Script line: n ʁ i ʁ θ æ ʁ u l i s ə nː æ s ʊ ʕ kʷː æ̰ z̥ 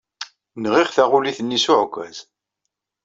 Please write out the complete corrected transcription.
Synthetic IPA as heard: n ʁ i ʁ θ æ ʁ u l i θ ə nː i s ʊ ʕ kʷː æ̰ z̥